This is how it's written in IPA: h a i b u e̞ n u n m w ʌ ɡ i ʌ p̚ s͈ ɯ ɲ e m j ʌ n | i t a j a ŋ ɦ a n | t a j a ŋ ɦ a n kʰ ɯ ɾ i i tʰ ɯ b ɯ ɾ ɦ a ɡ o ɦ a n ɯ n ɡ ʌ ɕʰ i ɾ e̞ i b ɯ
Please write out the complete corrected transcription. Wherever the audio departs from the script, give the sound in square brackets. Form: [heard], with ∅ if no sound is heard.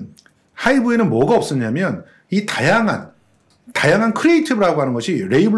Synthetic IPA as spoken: h a i b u e̞ n [ɯ] n m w ʌ ɡ [a] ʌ p̚ s͈ ɯ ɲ [a] m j ʌ n | i t a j a ŋ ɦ a n | t a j a ŋ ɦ a n kʰ ɯ ɾ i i tʰ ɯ b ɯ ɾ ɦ a ɡ o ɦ a n ɯ n ɡ ʌ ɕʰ i ɾ e̞ i b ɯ